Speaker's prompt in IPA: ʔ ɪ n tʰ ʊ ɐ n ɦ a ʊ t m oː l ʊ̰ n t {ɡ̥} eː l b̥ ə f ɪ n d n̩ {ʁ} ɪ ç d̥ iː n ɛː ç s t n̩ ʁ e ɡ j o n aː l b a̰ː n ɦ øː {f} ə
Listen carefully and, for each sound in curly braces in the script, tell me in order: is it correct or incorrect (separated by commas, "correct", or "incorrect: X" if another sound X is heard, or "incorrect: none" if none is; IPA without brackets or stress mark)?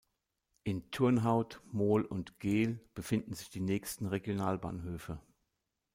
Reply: correct, incorrect: z, correct